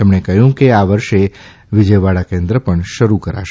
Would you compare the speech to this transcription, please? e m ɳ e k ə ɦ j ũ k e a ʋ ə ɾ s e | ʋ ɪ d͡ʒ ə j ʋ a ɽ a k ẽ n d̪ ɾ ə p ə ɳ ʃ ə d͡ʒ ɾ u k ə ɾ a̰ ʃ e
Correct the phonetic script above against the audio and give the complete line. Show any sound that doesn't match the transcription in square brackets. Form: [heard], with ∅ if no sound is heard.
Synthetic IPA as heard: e m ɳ e k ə ɦ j ũ k e a ʋ ə ɾ [ʃ] e | ʋ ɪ d͡ʒ ə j ʋ a ɽ a k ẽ n d̪ ɾ ə p ə ɳ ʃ ə [∅] ɾ u k ə ɾ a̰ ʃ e